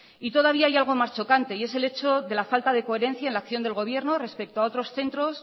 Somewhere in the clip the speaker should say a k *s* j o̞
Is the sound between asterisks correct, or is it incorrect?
incorrect